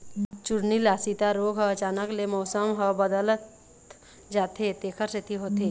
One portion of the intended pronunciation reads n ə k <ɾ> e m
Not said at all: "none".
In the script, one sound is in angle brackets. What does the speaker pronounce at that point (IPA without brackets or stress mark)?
l